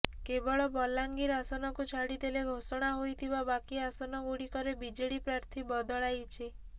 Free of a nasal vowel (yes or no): yes